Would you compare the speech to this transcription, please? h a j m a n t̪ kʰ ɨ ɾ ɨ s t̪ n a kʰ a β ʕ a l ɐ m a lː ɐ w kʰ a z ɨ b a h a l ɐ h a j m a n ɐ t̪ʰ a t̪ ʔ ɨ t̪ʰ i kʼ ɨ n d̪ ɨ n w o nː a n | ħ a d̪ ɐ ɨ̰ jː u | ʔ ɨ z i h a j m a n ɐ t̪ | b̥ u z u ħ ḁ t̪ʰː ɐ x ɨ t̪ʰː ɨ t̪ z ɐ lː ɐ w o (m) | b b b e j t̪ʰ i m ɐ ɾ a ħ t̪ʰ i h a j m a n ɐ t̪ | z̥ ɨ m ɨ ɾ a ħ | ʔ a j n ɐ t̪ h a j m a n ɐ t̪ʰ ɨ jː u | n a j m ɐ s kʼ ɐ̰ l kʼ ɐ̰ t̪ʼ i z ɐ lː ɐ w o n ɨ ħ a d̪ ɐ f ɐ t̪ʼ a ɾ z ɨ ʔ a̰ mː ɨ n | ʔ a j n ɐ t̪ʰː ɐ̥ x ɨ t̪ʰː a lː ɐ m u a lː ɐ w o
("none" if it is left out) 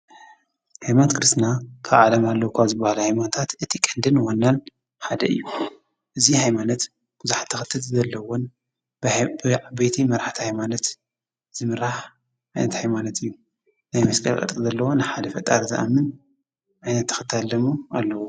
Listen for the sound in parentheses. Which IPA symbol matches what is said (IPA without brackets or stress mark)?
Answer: n